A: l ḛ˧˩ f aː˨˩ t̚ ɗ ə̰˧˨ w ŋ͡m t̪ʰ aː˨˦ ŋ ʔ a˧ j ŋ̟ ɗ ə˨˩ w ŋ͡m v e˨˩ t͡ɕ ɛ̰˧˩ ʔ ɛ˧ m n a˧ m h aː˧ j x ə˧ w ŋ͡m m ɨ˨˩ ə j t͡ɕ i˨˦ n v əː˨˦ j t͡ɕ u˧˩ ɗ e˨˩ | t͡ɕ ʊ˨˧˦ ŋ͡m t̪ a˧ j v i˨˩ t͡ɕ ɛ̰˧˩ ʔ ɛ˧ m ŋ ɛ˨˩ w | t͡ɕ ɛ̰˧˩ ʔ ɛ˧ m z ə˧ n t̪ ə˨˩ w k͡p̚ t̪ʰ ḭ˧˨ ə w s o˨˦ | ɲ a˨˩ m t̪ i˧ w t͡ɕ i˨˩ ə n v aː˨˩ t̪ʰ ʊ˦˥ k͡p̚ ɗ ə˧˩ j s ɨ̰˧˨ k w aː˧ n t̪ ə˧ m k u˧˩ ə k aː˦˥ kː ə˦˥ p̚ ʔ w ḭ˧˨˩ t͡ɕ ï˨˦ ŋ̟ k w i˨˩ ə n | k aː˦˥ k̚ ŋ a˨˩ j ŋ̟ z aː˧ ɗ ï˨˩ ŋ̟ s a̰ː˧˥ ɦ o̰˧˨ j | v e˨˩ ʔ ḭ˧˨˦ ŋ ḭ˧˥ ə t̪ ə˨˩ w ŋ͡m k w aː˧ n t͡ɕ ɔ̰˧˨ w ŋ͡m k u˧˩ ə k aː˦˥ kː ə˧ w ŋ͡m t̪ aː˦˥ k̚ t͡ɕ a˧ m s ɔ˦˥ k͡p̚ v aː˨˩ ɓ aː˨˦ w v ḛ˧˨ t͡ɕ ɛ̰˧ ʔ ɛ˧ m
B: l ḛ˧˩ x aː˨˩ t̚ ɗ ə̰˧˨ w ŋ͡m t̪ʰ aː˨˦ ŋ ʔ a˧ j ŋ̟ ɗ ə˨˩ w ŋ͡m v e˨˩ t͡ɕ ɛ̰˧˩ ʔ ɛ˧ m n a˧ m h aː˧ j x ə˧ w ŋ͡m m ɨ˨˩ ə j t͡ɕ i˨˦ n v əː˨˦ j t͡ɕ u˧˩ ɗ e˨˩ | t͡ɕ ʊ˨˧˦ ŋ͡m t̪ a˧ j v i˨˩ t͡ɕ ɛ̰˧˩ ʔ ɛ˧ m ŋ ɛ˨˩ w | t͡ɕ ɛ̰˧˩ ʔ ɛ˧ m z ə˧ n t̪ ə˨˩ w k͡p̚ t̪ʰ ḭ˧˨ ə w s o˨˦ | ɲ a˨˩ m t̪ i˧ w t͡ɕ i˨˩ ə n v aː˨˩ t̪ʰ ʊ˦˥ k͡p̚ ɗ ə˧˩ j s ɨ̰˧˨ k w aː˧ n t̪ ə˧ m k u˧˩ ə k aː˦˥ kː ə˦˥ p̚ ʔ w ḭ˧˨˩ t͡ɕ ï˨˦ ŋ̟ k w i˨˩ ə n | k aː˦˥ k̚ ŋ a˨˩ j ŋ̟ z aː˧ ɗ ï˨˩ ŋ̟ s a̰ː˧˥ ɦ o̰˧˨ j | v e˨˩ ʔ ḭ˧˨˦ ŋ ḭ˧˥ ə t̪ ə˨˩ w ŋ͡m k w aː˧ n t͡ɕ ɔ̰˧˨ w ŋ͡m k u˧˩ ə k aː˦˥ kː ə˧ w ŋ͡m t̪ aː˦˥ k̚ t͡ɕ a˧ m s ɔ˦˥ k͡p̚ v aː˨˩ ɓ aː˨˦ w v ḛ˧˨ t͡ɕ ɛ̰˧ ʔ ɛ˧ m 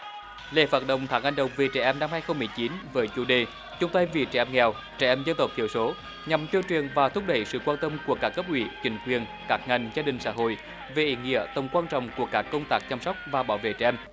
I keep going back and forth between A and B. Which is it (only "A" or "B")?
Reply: A